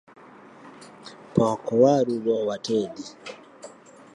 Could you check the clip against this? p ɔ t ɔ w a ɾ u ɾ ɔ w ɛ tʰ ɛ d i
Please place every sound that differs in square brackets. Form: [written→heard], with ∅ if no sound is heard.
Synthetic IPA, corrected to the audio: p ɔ [t→k] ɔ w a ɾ u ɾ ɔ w [ɛ→a] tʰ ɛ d i